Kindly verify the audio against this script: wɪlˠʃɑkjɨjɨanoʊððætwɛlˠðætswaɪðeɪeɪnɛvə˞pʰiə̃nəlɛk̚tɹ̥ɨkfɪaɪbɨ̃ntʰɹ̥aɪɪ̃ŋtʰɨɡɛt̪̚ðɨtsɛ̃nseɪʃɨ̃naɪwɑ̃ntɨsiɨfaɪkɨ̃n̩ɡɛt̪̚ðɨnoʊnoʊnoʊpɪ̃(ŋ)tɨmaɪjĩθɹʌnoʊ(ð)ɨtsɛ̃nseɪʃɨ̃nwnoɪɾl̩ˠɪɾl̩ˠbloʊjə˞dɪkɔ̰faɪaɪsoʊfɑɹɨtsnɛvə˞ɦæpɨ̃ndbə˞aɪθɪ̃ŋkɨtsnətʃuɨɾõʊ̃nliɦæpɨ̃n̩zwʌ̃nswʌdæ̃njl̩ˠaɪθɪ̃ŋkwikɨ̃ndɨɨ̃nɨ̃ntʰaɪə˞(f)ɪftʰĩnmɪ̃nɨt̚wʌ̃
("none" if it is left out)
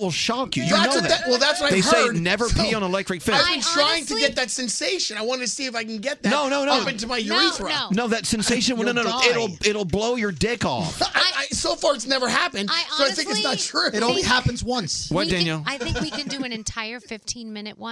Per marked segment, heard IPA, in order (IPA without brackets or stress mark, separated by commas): n, ð, f